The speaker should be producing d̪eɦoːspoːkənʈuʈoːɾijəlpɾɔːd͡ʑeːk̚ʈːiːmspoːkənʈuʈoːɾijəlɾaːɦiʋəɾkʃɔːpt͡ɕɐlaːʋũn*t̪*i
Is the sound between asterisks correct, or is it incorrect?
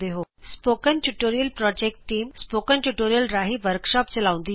incorrect: d̪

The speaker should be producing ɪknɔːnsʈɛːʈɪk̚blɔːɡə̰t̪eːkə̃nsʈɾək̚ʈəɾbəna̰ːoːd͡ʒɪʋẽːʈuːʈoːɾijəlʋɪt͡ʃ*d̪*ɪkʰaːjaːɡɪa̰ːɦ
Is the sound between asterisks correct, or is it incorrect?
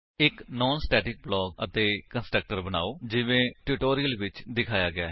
correct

